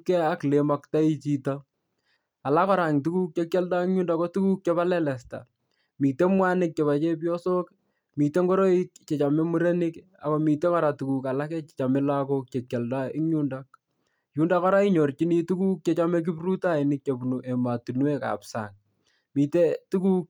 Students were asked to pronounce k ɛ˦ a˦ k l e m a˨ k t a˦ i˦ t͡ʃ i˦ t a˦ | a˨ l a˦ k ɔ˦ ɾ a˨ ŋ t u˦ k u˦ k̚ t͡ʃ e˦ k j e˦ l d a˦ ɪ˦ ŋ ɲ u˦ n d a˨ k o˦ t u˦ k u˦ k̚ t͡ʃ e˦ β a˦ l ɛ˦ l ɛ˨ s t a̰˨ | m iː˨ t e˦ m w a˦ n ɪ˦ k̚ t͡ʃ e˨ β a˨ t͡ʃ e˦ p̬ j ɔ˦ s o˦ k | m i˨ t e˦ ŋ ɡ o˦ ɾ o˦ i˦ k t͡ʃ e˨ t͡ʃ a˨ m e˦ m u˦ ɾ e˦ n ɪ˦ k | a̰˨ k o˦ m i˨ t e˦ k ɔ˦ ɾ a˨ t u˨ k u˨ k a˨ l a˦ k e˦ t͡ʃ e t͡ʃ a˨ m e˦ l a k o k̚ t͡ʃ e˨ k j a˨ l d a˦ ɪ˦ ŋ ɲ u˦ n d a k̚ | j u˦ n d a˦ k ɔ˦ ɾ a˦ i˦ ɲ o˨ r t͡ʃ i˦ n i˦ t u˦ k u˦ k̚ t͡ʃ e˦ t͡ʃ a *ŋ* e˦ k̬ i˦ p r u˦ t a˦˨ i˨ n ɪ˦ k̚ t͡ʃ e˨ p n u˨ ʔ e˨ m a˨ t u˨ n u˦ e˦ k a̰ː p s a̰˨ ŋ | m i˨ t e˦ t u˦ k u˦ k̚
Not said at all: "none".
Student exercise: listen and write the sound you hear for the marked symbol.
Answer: m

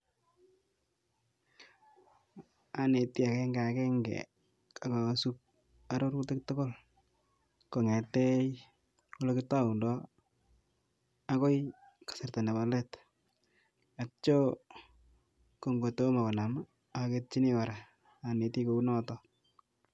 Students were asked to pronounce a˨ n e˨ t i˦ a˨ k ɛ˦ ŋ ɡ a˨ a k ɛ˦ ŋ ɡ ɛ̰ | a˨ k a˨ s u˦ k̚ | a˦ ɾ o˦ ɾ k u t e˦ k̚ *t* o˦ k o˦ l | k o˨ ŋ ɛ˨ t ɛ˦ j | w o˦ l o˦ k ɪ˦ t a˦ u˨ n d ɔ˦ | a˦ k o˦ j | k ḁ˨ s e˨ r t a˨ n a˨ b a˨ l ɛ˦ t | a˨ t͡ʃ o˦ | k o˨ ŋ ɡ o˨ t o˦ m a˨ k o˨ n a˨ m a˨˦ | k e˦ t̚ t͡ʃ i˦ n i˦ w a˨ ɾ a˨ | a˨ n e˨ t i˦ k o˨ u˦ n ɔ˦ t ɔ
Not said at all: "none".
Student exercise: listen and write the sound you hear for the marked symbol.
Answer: t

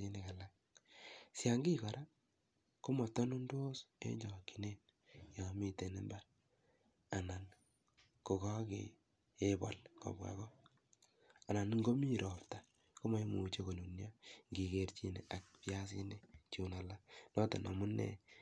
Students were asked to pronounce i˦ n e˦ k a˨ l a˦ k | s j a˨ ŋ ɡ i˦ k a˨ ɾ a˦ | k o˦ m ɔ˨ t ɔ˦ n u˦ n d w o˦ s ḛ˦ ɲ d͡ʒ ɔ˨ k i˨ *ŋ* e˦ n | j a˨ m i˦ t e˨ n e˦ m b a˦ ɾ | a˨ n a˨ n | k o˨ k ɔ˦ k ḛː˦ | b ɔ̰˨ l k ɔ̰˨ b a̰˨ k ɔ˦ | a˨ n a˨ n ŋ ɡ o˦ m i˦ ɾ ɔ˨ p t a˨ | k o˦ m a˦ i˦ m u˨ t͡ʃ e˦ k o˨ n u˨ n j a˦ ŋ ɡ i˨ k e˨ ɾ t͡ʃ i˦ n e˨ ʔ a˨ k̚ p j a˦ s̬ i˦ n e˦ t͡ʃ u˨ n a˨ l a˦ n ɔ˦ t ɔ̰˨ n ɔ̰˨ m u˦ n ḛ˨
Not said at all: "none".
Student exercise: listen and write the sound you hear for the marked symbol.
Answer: n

